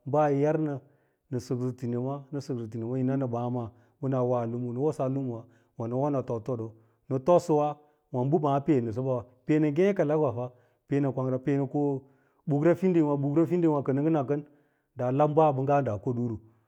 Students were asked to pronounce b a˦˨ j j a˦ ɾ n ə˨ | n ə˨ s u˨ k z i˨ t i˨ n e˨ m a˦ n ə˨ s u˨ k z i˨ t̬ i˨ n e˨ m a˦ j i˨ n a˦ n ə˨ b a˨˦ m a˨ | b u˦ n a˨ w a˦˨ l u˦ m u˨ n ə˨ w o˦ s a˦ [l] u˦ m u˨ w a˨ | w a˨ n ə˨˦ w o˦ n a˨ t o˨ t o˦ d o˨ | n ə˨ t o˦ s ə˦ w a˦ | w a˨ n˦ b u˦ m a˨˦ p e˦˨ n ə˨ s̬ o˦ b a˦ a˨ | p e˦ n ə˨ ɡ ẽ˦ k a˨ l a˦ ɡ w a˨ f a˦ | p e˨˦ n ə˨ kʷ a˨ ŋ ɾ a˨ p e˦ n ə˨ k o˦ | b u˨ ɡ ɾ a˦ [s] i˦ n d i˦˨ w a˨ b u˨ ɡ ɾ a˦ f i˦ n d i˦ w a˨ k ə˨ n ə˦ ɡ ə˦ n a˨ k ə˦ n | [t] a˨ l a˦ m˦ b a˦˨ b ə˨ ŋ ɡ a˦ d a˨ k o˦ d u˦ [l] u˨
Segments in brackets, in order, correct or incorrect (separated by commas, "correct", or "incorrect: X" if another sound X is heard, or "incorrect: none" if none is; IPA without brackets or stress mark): correct, incorrect: f, incorrect: d, incorrect: ɾ